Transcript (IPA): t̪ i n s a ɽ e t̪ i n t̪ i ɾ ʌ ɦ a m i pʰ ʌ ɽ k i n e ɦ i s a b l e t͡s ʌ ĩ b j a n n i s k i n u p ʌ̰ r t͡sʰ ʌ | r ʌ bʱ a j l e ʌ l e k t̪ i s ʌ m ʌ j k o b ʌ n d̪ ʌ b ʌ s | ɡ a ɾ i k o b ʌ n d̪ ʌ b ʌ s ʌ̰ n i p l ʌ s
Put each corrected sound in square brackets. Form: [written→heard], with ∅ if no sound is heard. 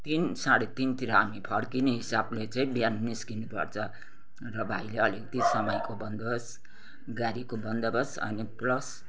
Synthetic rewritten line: t̪ i n s a ɽ e t̪ i n t̪ i ɾ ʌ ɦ a m i pʰ ʌ ɽ k i n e ɦ i s a b l e t͡s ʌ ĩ b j a n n i s k i n u p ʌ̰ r t͡sʰ ʌ | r ʌ bʱ a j l e ʌ l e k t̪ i s ʌ m ʌ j k o b ʌ n d̪ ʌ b ʌ s | ɡ a ɾ i k o b ʌ n d̪ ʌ b ʌ s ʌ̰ n i p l ʌ s